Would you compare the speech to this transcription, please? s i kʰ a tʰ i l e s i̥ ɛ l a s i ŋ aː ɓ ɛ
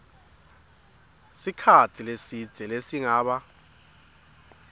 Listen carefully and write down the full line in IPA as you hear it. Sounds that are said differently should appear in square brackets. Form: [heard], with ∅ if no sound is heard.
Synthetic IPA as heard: s i kʰ a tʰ i l e s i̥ ɛ l [e] s i ŋ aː ɓ [a]